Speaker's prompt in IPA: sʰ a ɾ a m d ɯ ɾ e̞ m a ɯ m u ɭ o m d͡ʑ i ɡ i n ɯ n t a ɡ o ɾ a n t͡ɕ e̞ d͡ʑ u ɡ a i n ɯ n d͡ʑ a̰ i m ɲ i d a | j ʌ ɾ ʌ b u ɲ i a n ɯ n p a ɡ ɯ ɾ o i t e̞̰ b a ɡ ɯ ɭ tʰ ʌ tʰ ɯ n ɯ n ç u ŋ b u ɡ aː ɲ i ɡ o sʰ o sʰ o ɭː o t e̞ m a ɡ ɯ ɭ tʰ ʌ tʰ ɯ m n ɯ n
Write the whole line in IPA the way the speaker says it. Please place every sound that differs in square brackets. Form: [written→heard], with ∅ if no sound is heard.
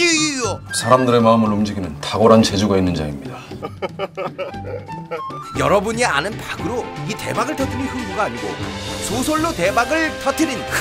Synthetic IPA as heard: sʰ a ɾ a m d ɯ ɾ e̞ m a ɯ m [u→ɯ] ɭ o m d͡ʑ i ɡ i n ɯ n t a ɡ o ɾ a n t͡ɕ e̞ d͡ʑ u ɡ a i [n→nː] ɯ n d͡ʑ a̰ i m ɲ i d a | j ʌ ɾ ʌ b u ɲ i a n ɯ n p a ɡ ɯ ɾ o i t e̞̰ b a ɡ ɯ ɭ tʰ ʌ tʰ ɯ n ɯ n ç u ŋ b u ɡ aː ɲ i ɡ o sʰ o sʰ o ɭː o t e̞ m a ɡ ɯ ɭ tʰ ʌ tʰ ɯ [m→∅] n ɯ n

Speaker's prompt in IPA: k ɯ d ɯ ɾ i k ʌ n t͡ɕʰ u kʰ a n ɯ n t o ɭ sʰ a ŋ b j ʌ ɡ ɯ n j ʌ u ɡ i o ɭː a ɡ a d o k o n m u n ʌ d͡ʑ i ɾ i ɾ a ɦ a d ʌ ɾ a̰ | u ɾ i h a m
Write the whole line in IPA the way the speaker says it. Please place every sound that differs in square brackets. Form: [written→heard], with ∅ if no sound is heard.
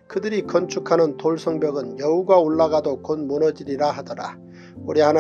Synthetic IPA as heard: k ɯ d ɯ ɾ i k ʌ n t͡ɕʰ u kʰ a n ɯ n t o ɭ sʰ [a→ʌ] ŋ b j ʌ ɡ ɯ n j ʌ u ɡ [i→a] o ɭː a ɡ a d o k o n m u n ʌ d͡ʑ i ɾ i ɾ a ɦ a d ʌ ɾ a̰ | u ɾ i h a [m→n]

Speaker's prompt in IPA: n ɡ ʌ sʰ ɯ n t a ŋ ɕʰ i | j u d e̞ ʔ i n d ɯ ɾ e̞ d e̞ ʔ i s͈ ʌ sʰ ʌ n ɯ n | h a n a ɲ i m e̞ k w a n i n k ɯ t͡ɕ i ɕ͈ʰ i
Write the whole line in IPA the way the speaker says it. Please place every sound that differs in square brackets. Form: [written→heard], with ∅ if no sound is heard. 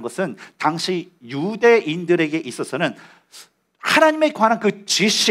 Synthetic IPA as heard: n ɡ ʌ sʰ ɯ n t a ŋ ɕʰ i | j u d e̞ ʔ i n d ɯ ɾ e̞ [d→ɡ] e̞ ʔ i s͈ ʌ sʰ ʌ n ɯ n | h a n a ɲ i m e̞ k w a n [i→a] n k ɯ t͡ɕ i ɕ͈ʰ i

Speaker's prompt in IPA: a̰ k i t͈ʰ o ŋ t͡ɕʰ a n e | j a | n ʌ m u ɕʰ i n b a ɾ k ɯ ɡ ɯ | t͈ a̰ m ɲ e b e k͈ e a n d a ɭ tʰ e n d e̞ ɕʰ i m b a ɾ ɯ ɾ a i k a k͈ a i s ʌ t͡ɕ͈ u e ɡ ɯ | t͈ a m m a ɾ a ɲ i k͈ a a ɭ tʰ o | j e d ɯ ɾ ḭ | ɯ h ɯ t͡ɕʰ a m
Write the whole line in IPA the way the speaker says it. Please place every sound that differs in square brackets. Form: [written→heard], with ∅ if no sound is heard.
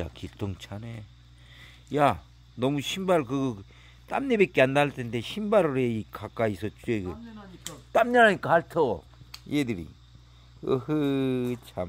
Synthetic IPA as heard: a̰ k i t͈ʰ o ŋ t͡ɕʰ a n e | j a | n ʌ m u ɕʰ i [n→m] b a ɾ k ɯ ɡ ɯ | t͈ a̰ m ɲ e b e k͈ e a n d a ɭ tʰ e n d e̞ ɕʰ i m b a ɾ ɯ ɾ [a→e] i k a k͈ a i s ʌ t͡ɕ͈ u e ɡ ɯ | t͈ a m [m→ɲ] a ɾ a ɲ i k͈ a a ɭ tʰ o | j e d ɯ ɾ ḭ | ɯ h ɯ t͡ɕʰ a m

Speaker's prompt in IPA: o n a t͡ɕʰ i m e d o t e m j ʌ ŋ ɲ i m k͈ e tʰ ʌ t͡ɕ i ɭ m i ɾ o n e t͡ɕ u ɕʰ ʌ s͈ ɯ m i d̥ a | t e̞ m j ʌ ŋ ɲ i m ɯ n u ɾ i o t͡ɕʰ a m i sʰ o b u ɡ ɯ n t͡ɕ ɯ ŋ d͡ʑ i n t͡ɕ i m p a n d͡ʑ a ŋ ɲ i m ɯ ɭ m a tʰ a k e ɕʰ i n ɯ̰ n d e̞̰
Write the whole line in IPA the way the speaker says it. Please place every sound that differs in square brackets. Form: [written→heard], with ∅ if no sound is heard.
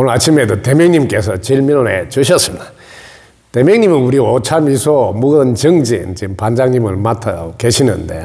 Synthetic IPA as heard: o n a t͡ɕʰ i m e d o t e m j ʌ ŋ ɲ i m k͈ e [tʰ→sʰ] ʌ t͡ɕ i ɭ m i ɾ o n e t͡ɕ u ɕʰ ʌ s͈ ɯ m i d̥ a | t e̞ m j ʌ ŋ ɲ i m ɯ n u ɾ i o t͡ɕʰ a m i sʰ o [b→m] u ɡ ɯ n t͡ɕ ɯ ŋ d͡ʑ i n t͡ɕ i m p a n d͡ʑ a ŋ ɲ i m ɯ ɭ m a tʰ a k e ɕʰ i n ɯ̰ n d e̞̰

